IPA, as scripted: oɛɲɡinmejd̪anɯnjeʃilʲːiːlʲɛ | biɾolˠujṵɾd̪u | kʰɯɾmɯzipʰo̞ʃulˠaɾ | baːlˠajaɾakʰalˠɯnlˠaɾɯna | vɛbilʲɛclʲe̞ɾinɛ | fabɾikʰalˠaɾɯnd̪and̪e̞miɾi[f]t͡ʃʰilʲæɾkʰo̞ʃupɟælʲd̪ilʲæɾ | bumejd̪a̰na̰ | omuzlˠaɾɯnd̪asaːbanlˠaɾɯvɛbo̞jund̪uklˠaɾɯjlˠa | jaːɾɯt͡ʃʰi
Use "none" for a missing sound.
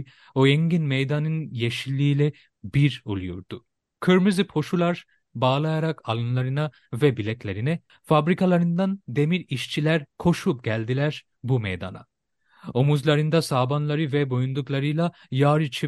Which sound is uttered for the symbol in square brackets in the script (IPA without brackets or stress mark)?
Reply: ʃ